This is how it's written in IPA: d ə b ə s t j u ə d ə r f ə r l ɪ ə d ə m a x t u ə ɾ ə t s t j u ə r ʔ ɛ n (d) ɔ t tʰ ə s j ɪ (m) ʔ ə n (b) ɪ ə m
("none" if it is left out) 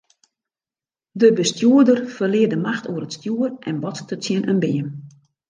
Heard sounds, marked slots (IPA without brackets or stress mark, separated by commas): b, n, b